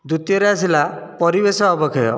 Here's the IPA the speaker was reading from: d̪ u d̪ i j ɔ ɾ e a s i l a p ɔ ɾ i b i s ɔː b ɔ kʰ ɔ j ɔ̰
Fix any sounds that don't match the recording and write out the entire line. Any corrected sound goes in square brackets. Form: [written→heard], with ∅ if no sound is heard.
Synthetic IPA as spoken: d̪ u [d̪→t̪] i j ɔ ɾ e a s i l a p ɔ ɾ i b [i→e] s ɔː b ɔ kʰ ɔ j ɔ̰